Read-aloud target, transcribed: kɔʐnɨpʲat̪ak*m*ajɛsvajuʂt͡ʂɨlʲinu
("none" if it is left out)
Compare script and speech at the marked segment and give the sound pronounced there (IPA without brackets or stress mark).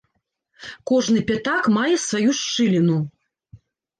m